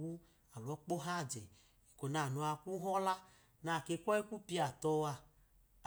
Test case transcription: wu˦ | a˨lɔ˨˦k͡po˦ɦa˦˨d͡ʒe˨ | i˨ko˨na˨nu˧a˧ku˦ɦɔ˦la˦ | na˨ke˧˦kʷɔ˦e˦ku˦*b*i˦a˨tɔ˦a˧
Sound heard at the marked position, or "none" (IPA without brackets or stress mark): p